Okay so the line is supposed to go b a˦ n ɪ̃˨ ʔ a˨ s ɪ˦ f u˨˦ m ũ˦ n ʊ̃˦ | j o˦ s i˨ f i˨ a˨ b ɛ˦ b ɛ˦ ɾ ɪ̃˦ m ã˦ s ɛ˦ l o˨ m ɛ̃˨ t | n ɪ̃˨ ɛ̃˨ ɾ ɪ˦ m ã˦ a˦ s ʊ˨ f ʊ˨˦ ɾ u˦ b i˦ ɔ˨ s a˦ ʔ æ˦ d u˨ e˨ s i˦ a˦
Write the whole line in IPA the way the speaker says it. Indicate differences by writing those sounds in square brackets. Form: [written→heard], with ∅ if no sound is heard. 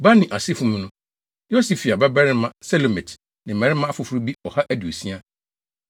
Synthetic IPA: b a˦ n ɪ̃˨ ʔ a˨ s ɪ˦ f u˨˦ m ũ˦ n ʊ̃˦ | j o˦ s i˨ f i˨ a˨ b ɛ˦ b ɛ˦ ɾ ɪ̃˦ m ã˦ s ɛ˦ l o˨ m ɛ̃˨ t | n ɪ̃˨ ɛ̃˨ ɾ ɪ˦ m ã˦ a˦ [s→f] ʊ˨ f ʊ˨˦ ɾ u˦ b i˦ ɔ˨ [s→h] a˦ ʔ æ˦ d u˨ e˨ s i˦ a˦

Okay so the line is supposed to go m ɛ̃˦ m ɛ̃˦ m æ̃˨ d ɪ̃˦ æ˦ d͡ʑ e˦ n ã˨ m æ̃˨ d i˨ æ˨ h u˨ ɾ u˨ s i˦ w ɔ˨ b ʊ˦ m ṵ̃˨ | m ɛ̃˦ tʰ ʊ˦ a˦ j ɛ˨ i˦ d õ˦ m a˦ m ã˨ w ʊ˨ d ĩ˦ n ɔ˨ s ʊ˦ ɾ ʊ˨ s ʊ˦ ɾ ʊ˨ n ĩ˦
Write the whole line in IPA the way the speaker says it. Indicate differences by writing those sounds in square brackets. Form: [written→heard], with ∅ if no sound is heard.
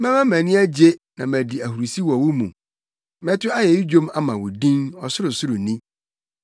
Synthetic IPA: m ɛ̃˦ m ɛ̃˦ m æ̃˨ [d→n] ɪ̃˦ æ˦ d͡ʑ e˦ n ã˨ m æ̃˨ d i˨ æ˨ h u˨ ɾ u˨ s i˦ w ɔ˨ [b→w] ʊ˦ m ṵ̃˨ | m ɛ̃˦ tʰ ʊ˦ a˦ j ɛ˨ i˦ [d→d͡ʑ] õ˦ m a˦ m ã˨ w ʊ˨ d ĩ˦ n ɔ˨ s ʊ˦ ɾ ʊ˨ s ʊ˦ ɾ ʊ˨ n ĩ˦

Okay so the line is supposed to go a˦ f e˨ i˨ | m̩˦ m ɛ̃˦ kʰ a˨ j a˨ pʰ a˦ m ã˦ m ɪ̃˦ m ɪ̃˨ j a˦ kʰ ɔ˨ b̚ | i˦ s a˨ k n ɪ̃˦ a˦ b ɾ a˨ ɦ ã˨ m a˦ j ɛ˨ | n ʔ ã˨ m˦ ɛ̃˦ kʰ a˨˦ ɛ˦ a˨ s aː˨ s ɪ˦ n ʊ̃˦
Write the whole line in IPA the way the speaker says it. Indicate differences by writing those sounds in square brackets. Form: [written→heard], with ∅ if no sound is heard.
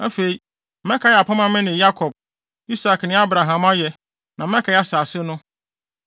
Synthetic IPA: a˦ f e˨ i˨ | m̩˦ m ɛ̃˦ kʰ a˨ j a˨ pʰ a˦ m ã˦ m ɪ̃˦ [m→n] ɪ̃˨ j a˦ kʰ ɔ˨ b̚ | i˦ s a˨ k n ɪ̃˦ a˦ b ɾ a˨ ɦ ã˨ m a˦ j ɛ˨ | n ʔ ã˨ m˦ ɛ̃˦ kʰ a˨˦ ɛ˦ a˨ s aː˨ s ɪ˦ n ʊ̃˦

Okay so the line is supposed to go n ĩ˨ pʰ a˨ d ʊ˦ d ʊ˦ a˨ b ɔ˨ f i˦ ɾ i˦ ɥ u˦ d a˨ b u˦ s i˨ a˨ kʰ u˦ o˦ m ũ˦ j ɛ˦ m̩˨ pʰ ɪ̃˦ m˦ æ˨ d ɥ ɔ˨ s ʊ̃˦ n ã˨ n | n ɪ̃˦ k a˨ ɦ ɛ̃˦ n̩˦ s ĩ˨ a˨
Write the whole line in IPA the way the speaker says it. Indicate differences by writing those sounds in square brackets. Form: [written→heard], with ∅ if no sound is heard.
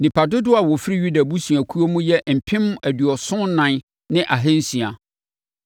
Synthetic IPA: n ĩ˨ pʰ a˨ d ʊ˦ d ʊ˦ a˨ [b→w] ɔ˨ f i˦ ɾ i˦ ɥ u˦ d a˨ b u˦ s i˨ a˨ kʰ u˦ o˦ m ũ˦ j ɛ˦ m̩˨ pʰ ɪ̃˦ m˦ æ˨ d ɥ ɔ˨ s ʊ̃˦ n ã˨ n | n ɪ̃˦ [k→ʔ] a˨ ɦ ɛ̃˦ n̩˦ s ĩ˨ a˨

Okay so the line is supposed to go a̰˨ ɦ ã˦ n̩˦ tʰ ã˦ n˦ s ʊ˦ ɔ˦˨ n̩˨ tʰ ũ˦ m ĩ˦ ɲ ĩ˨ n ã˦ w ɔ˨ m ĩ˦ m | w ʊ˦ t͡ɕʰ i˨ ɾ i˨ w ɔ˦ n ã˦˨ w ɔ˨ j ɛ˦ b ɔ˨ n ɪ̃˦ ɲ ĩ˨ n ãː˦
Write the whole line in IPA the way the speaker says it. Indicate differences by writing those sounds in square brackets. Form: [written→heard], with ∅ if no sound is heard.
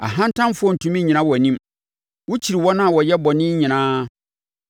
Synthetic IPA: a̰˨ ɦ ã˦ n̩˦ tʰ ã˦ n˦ [s→f] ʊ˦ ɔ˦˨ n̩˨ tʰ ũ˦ m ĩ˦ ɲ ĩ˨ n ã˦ w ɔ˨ [m→n] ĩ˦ m | w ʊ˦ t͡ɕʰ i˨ ɾ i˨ w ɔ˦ n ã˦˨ w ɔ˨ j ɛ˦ b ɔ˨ n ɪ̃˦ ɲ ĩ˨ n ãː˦

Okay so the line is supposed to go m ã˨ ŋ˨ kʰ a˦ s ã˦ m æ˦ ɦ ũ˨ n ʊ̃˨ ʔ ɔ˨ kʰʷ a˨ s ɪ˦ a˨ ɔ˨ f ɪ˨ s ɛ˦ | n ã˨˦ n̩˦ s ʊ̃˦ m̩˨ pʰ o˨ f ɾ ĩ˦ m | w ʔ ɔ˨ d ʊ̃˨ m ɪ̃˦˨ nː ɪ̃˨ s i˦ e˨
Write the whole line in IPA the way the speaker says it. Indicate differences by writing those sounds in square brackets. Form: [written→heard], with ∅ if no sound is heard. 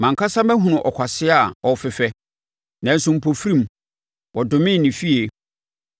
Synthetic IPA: m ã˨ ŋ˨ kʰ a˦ s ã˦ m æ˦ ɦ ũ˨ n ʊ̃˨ ʔ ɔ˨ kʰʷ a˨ s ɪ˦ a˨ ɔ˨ f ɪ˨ [s→f] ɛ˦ | n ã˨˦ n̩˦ s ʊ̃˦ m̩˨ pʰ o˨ f ɾ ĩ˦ m | w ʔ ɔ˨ d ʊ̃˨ m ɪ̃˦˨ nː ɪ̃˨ [s→f] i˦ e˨

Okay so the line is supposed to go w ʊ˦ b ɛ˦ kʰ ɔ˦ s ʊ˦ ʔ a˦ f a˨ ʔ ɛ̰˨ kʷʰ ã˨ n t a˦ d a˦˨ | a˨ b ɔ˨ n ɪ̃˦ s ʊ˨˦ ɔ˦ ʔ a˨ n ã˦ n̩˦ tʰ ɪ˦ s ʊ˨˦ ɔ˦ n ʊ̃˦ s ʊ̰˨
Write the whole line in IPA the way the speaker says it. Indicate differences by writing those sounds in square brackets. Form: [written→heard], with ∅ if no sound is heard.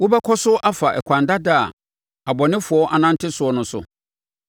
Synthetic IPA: w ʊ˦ b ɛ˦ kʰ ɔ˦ s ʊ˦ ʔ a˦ f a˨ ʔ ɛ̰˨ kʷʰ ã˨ n [t→d] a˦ d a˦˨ | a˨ b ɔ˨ n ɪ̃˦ [s→f] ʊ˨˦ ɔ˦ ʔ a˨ n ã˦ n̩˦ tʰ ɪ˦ s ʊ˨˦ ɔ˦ n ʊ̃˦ s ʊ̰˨

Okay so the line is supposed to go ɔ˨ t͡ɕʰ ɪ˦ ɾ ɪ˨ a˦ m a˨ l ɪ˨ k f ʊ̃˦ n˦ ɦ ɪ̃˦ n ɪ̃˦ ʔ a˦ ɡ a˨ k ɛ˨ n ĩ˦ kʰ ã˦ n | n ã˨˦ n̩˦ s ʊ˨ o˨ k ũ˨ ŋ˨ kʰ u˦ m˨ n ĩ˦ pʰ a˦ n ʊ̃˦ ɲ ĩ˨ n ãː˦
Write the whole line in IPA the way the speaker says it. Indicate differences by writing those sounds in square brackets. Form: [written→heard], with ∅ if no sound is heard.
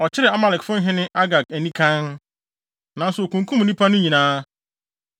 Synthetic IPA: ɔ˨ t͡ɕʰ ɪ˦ ɾ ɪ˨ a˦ m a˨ l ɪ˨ k f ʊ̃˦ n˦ ɦ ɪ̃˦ n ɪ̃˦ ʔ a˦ ɡ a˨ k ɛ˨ n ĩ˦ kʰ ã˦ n | n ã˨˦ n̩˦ s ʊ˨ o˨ k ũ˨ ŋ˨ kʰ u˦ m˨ n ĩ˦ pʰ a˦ n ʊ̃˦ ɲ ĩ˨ n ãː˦

